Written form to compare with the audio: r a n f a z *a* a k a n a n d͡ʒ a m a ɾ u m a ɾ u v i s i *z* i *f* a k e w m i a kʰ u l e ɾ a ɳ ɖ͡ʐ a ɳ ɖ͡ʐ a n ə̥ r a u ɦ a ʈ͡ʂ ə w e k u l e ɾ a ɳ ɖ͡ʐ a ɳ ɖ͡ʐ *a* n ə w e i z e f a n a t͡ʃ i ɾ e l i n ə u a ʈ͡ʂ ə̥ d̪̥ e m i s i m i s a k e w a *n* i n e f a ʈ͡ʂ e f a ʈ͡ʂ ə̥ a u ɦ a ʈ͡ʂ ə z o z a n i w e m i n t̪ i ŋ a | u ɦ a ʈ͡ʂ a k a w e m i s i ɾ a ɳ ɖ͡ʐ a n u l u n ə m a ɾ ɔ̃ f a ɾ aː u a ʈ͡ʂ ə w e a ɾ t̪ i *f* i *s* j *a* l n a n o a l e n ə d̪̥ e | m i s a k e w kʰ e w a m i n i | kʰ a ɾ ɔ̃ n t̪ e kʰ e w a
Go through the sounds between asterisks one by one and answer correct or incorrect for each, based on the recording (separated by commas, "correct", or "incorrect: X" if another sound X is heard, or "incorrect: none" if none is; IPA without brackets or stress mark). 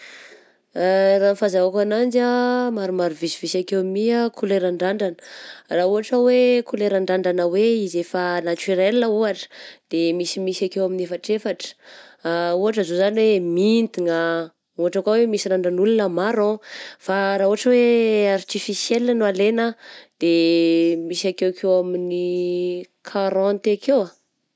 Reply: correct, incorrect: v, incorrect: s, correct, incorrect: m, correct, correct, incorrect: e